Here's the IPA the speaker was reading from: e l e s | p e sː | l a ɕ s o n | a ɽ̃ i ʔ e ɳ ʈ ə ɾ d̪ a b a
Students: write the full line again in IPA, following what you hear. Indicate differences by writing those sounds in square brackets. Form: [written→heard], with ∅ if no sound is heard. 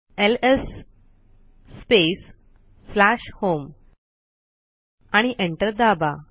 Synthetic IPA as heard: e l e s | p e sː | l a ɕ [s→h] o [n→m] | a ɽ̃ i ʔ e ɳ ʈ ə ɾ d̪ a b a